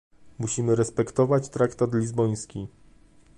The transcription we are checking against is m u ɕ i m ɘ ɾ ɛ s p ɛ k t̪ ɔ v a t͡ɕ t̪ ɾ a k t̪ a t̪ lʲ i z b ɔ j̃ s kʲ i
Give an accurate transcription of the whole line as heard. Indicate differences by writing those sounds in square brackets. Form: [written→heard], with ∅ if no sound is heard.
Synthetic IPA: m u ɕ i m ɘ ɾ ɛ s p ɛ k t̪ ɔ v a t͡ɕ t̪ ɾ a k t̪ a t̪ lʲ i z b ɔ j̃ s kʲ i